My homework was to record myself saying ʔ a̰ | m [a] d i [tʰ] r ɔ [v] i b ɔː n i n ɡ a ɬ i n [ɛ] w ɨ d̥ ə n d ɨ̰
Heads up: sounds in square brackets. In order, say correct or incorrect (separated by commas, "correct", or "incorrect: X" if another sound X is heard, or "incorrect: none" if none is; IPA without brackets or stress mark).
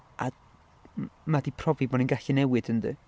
correct, incorrect: pʰ, correct, correct